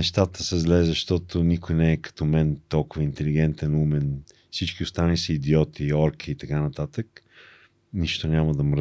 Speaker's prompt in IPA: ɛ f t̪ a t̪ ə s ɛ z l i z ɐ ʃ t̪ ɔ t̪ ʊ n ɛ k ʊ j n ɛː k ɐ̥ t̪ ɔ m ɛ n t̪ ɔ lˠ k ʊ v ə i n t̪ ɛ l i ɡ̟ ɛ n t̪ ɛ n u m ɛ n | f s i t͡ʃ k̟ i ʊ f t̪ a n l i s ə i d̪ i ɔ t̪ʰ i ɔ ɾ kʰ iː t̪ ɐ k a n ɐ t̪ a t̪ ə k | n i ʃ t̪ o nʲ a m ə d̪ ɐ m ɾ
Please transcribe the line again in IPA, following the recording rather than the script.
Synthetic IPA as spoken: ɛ ʃ t̪ a t̪ ə s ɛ z l ɛ z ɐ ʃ t̪ ɔ t̪ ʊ n i k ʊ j n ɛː k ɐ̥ t̪ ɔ m ɛ n t̪ ɔ lˠ k ʊ v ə i n t̪ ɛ l i ɡ̟ ɛ n t̪ ɛ n u m ɛ n | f s i t͡ʃ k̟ i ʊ s t̪ a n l i s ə i d̪ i ɔ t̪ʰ i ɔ ɾ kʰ iː t̪ ɐ k a n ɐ t̪ a t̪ ə k | n i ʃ t̪ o nʲ a m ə d̪ ɐ m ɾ